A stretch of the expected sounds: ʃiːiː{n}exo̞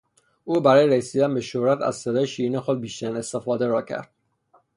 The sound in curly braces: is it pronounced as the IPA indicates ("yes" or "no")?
yes